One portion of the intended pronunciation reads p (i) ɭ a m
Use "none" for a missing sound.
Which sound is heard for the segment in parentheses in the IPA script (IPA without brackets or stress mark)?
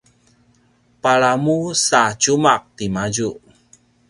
a